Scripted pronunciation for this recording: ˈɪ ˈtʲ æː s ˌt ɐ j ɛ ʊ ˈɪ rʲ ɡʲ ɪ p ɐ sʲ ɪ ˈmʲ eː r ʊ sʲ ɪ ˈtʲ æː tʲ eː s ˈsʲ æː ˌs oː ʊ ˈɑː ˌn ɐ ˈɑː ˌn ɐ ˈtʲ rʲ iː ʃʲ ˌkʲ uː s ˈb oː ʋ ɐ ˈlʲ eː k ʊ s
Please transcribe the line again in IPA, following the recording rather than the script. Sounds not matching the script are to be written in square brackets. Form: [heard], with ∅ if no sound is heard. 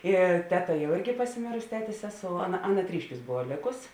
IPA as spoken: ˈɪ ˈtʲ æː [∅] ˌt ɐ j ɛ ʊ ˈɪ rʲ ɡʲ ɪ p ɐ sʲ ɪ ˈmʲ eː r ʊ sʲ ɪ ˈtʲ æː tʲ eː s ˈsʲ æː ˌs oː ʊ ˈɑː ˌn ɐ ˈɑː ˌn ɐ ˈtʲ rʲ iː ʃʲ ˌkʲ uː s ˈb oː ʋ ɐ ˈlʲ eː k ʊ s